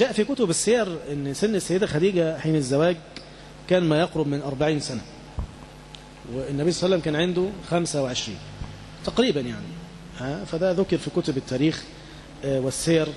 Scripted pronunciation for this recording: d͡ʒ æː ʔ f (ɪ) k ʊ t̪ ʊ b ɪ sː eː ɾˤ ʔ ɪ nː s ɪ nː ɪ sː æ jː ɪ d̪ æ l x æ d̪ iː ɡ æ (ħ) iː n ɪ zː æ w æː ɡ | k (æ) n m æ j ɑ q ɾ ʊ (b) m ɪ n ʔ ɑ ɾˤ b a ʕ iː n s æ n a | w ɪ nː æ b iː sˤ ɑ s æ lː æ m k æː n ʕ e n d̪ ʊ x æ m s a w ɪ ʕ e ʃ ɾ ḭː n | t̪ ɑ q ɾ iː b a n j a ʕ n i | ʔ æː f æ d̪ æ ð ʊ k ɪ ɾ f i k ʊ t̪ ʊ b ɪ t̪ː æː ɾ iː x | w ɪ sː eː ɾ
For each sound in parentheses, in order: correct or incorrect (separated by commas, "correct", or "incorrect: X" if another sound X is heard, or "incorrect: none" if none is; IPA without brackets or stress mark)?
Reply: incorrect: i, correct, incorrect: æː, correct